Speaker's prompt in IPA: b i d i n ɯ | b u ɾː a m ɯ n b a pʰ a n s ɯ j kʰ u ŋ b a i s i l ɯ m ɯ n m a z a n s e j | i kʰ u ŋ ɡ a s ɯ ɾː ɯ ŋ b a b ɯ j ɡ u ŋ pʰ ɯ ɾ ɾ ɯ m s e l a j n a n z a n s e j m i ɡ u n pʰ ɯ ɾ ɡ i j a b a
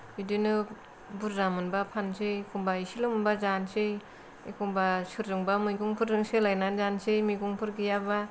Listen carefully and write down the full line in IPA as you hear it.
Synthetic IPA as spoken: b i d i n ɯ | b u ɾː a m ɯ n b a pʰ a n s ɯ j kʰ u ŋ b a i s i l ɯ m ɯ n b a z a n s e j | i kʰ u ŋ b a s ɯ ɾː ɯ ŋ b a m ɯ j ɡ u ŋ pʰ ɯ ɾ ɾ ɯ ŋ s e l a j n a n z a n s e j m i ɡ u ŋ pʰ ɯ ɾ ɡ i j a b a